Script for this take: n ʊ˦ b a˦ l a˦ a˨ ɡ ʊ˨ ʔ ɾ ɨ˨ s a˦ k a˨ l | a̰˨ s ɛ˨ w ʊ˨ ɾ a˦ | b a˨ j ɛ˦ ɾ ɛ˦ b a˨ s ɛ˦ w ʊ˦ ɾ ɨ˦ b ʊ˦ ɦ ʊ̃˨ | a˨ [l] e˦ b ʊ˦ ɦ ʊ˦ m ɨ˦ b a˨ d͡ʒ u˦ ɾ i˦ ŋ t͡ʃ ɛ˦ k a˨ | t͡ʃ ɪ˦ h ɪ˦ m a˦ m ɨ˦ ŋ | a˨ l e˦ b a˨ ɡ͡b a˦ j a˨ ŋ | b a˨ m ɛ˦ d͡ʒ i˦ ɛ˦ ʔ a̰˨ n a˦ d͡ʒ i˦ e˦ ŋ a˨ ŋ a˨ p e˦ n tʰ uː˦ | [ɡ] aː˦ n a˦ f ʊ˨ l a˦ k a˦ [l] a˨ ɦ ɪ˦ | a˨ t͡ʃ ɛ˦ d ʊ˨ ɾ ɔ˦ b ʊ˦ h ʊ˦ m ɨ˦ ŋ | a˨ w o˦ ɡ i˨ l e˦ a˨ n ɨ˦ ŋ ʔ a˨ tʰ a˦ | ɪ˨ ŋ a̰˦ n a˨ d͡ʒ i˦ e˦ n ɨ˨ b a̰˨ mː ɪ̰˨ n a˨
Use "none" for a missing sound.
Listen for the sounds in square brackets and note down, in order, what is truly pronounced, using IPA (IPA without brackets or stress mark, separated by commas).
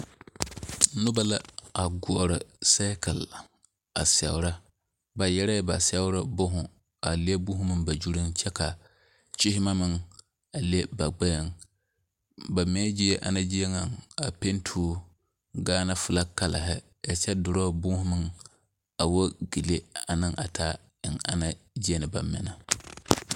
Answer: l, ɡ, l